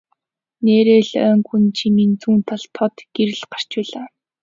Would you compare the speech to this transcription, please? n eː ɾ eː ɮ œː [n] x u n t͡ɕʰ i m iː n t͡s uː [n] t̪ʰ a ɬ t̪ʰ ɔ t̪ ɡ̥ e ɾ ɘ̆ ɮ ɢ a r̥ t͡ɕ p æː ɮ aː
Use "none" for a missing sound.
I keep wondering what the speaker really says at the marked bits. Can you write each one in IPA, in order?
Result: ŋ, n

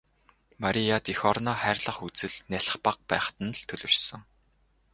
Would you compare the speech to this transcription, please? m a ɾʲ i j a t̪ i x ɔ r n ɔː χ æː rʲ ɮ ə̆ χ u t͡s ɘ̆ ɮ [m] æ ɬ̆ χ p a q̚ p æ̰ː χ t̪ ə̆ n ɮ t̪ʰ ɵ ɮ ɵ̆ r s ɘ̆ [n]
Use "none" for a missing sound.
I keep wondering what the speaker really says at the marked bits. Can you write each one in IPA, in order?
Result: n, ŋ

